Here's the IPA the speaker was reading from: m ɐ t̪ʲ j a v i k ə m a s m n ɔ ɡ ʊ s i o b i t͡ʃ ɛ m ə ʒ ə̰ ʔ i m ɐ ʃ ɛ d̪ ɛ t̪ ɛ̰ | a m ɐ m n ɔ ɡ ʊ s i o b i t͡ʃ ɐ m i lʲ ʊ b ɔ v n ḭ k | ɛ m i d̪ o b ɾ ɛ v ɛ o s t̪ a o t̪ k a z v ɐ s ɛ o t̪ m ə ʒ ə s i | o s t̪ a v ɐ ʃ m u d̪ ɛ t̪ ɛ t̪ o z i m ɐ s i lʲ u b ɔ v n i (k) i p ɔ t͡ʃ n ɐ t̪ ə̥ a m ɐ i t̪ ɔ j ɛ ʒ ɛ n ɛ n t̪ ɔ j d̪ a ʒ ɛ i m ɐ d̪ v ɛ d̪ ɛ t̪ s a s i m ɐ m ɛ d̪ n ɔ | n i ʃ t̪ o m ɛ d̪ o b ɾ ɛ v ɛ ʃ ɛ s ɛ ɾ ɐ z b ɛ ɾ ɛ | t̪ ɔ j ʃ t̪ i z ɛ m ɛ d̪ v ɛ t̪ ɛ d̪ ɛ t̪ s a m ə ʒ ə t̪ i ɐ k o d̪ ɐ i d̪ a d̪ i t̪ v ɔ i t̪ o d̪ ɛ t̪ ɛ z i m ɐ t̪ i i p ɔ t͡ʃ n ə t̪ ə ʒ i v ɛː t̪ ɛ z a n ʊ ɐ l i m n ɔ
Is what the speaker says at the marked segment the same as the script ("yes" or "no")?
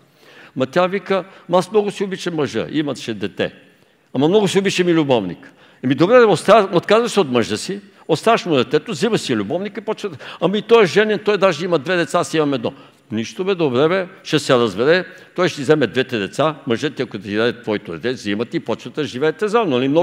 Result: yes